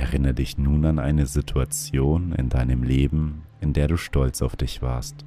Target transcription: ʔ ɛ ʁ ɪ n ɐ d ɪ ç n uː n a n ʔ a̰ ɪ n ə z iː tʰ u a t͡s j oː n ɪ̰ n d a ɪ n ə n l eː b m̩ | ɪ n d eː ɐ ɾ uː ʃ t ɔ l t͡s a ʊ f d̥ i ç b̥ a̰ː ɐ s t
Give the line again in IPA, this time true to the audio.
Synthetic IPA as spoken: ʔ ɛ ʁ ɪ n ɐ d ɪ ç n uː n a n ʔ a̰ ɪ n ə z i tʰ u a t͡s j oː n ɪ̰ n d a ɪ n ə m l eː b m̩ | ɪ n d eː ɐ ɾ uː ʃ t ɔ l t͡s a ʊ f d̥ ɪ ç v̥ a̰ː ɐ s t